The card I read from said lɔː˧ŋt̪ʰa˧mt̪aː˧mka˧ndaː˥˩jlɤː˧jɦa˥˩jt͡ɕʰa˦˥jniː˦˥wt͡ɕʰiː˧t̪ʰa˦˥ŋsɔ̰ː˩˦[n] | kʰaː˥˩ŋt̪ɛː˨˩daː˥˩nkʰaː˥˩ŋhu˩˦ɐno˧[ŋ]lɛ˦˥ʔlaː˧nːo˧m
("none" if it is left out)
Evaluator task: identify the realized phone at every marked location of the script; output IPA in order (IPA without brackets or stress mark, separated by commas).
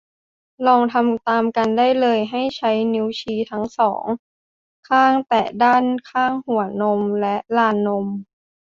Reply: ŋ, m